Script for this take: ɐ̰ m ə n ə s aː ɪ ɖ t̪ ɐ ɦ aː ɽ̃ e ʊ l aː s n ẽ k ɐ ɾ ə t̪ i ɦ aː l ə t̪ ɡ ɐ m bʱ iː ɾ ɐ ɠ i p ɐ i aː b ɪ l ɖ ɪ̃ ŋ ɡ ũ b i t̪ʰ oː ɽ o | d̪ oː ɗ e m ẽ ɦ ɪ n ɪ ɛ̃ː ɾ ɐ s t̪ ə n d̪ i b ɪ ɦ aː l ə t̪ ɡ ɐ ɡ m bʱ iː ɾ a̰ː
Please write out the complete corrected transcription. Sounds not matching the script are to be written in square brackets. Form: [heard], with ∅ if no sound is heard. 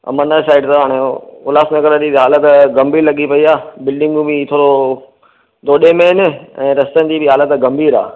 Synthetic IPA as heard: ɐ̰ m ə n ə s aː ɪ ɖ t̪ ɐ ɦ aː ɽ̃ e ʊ l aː s n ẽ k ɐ ɾ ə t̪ i ɦ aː l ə t̪ ɡ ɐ m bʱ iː [l] ɐ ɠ i p ɐ i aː b ɪ l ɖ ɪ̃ ŋ ɡ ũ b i t̪ʰ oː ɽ o | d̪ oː ɗ e m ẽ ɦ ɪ n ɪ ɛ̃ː ɾ ɐ s t̪ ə n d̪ i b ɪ ɦ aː l ə t̪ ɡ ɐ [∅] m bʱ iː ɾ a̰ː